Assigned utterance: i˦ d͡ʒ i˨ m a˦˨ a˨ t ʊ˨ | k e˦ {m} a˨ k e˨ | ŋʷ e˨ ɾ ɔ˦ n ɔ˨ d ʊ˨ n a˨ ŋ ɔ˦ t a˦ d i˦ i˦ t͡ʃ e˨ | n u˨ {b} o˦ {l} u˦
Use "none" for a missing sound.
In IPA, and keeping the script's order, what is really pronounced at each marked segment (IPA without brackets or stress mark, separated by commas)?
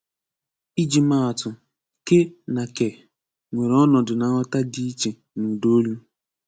n, d, l